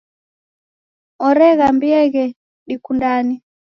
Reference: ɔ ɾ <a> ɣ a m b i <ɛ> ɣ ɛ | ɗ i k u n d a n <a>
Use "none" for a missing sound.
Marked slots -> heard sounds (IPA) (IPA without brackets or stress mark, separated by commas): ɛ, ɛ, i